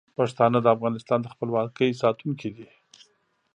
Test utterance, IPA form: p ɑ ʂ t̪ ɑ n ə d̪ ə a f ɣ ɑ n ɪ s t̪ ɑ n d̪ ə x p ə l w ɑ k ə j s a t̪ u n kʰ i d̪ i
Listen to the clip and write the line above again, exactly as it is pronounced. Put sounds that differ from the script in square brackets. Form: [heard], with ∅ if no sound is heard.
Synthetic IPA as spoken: p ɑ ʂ t̪ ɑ n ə d̪ ə a f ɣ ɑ n ɪ s t̪ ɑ n d̪ ə x p ə l w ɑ k ə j s [ɑ] t̪ u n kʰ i d̪ i